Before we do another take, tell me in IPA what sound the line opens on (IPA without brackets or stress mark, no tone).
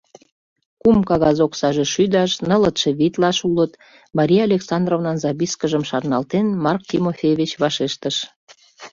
k